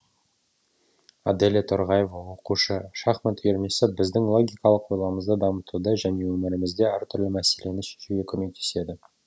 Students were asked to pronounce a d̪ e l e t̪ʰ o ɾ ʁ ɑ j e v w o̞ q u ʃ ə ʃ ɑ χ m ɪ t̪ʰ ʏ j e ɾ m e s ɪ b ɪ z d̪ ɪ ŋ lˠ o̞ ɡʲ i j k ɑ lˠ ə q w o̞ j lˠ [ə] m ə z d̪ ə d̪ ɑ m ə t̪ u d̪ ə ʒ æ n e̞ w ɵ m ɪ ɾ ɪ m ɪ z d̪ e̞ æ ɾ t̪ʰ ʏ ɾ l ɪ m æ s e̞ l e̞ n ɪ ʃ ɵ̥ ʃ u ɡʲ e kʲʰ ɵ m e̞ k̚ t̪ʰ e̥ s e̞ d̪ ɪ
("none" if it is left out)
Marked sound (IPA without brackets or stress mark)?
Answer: ɑ